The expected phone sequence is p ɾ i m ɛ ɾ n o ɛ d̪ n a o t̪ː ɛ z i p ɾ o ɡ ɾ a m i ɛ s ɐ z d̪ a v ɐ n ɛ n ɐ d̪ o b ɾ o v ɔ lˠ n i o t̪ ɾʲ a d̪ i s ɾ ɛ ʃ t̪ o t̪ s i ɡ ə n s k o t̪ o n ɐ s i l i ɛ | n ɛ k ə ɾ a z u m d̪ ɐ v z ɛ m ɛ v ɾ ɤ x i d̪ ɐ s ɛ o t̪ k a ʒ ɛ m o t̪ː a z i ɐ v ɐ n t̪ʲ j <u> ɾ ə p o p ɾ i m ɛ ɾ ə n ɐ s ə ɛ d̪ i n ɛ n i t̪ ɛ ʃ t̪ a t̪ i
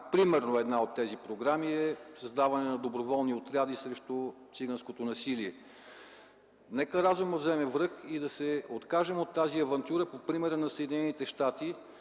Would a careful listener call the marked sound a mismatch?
no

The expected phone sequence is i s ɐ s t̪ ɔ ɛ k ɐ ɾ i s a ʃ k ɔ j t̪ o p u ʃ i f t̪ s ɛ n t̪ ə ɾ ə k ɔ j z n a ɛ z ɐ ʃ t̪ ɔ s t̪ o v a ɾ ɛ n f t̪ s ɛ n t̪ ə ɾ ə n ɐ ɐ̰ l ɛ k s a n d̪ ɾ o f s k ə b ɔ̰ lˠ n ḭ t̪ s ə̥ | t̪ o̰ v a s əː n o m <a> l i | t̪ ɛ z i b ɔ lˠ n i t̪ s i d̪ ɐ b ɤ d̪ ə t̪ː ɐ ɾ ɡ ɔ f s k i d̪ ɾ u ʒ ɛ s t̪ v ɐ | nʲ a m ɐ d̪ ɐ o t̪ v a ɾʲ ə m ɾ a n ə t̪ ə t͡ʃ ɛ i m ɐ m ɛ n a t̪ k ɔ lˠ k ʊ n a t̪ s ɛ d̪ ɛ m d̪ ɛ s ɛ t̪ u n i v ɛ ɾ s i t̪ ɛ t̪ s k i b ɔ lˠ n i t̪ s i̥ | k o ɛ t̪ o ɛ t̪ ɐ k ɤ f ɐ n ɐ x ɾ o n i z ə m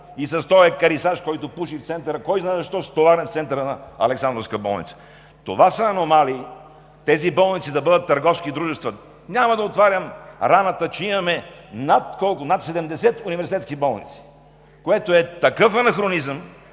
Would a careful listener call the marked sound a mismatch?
no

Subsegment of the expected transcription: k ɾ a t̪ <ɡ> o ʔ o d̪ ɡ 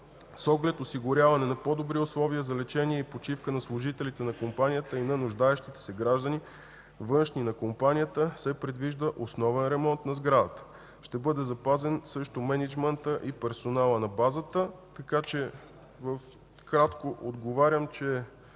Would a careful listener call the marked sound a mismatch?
yes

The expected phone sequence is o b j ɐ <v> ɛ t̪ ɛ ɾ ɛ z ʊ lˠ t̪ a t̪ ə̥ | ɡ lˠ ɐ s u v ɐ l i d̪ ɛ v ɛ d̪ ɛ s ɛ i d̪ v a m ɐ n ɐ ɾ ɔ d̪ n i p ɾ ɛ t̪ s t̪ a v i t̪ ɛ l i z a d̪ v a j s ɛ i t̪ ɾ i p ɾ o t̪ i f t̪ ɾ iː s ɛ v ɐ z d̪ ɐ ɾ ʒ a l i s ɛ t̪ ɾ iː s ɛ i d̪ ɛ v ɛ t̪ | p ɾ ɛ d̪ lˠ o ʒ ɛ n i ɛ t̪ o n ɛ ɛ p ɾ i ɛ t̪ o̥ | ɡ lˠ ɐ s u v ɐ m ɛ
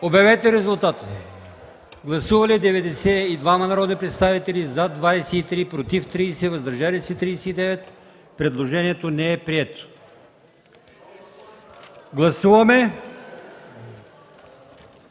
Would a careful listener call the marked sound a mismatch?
no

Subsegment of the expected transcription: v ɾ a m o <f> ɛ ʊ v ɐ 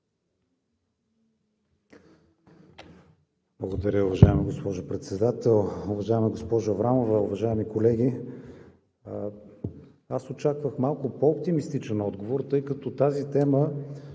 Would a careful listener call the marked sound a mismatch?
yes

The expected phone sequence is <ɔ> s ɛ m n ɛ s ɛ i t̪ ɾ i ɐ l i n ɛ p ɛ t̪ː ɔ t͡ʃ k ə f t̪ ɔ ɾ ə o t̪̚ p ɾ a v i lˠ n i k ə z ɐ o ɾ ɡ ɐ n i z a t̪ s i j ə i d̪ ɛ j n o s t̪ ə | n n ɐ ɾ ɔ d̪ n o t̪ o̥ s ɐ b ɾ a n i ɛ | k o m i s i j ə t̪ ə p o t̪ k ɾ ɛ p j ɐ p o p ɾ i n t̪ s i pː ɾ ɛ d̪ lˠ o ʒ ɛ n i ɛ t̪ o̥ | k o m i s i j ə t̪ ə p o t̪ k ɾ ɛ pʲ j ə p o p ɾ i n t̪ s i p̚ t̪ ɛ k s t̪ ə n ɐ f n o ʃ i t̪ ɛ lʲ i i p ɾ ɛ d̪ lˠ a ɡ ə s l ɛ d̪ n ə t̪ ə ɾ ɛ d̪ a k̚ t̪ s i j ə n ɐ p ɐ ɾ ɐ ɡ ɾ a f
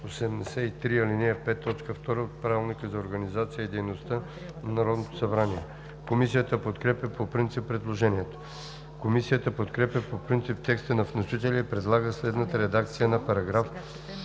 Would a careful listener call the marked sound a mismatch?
yes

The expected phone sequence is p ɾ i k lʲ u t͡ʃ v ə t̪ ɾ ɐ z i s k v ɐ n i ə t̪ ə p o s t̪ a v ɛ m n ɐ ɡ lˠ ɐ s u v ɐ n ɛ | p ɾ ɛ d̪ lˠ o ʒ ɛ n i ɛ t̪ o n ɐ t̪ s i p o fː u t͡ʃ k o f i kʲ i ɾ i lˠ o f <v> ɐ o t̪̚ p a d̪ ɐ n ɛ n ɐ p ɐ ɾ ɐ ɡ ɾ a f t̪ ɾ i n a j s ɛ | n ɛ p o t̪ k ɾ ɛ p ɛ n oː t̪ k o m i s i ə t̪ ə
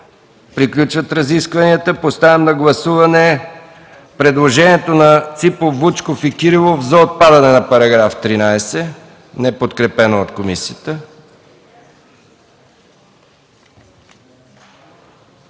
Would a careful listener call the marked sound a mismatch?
yes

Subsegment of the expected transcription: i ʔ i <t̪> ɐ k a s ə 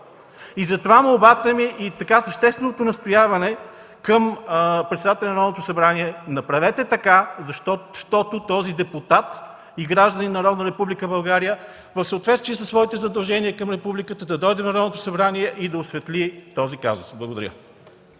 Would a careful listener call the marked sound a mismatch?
no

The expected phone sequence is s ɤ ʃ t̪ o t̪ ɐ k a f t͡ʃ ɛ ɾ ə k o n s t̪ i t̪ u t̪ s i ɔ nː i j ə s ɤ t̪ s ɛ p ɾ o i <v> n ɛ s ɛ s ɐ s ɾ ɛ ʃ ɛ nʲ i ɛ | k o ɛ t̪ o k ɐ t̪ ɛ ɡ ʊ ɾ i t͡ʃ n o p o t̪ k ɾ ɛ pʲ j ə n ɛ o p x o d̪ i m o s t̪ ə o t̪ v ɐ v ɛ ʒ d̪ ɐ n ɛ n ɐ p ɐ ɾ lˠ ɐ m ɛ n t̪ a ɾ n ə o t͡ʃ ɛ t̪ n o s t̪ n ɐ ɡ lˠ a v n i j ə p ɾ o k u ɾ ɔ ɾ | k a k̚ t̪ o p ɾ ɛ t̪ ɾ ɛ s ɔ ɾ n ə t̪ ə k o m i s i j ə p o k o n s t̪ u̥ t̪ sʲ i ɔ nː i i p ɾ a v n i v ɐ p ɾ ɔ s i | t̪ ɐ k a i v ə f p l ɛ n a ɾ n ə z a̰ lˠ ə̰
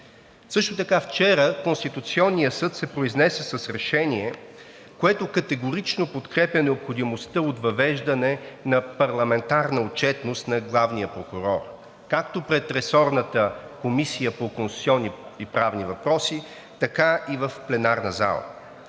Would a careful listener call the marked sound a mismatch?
yes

